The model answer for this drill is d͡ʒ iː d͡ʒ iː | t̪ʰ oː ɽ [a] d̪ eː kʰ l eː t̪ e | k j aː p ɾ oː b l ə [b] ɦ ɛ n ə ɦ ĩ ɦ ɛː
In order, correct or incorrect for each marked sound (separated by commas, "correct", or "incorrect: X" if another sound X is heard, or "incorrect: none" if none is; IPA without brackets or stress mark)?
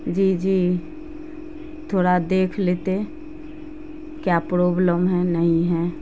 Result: correct, incorrect: m